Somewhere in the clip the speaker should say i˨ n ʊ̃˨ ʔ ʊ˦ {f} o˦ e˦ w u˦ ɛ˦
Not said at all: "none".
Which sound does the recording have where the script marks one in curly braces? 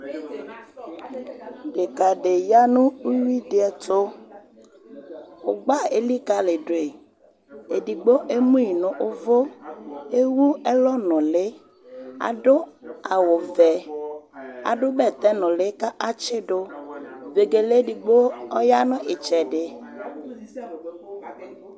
v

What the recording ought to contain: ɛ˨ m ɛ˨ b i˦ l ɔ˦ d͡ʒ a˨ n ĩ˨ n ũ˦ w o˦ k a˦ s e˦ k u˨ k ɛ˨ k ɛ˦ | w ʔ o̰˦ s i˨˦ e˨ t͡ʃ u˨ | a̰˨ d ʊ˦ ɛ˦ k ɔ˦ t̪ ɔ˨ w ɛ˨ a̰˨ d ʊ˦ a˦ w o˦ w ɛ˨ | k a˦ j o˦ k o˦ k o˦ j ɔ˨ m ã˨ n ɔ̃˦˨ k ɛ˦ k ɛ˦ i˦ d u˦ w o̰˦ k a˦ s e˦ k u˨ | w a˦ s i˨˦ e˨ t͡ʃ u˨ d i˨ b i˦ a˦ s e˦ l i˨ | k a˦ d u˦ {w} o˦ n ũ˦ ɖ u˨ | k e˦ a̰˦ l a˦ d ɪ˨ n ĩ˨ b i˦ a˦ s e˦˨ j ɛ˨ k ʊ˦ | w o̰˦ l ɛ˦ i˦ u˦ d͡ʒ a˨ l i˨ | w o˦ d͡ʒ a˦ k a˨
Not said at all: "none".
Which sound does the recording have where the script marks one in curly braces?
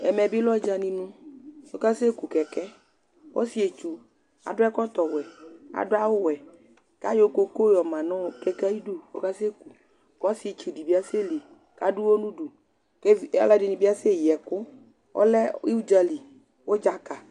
w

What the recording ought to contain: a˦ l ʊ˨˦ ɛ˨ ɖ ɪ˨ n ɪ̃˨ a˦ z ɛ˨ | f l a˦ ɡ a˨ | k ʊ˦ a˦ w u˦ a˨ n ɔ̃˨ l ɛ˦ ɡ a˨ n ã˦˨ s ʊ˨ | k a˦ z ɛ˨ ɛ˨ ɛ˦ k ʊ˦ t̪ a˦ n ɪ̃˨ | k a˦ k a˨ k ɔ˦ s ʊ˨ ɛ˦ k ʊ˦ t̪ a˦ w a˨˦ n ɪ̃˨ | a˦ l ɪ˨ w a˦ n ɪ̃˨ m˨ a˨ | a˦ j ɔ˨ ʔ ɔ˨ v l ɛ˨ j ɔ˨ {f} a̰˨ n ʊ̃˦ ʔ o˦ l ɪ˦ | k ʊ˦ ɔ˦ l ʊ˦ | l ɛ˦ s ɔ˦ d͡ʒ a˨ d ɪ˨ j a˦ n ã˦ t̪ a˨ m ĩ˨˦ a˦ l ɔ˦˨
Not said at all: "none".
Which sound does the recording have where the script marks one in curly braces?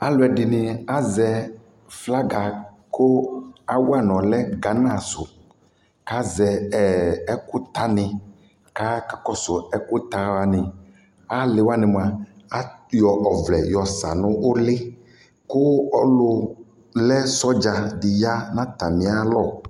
s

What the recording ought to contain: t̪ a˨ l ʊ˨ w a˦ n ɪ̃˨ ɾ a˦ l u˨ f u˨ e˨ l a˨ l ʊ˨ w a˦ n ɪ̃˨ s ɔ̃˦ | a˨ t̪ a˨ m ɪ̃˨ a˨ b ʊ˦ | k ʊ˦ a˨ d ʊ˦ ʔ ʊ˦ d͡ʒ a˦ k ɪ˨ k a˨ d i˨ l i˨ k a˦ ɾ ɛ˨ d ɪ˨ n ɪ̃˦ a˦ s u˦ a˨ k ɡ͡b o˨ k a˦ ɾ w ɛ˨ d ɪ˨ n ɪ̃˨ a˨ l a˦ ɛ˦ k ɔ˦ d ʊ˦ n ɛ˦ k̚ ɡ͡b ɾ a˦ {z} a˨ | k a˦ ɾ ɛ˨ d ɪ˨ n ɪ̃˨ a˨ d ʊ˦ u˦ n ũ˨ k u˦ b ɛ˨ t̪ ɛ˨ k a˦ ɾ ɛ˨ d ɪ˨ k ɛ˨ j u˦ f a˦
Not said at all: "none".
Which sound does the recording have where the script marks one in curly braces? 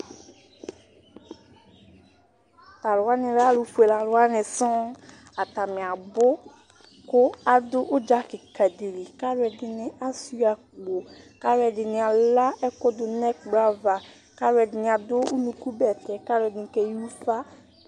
v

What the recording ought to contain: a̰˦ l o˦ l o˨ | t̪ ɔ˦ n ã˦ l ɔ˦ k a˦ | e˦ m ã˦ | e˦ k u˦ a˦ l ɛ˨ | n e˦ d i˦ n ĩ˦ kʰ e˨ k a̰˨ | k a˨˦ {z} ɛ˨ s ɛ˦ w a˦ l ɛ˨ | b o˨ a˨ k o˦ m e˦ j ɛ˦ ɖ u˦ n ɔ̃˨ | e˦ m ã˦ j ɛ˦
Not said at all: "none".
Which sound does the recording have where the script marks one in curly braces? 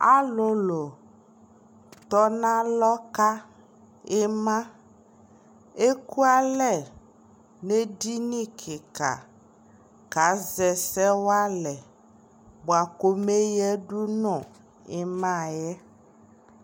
z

